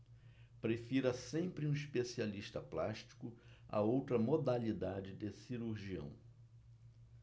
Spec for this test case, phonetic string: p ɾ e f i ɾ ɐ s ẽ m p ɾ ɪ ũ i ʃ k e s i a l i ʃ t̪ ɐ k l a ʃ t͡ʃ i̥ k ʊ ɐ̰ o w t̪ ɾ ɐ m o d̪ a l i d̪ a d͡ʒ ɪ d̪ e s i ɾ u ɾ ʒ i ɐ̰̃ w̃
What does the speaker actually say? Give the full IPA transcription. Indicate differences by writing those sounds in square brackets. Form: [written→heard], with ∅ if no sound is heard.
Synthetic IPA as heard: p ɾ e f i ɾ ɐ s ẽ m p ɾ ɪ ũ i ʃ [k→p] e s i a l i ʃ t̪ ɐ [k→p] l a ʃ t͡ʃ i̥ k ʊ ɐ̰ o w t̪ ɾ ɐ m o d̪ a l i d̪ a d͡ʒ ɪ d̪ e s i ɾ u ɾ ʒ i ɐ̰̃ w̃